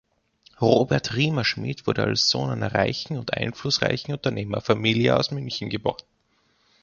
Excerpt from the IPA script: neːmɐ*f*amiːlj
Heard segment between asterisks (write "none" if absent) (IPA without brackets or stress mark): f